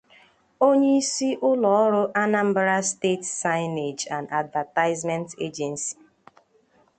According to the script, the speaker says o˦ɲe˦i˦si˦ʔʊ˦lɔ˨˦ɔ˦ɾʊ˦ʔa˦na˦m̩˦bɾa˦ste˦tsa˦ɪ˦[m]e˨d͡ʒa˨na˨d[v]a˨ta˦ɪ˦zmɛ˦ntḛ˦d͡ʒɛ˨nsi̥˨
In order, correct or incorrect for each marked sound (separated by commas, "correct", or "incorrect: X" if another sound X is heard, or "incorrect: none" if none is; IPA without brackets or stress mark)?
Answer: incorrect: n, correct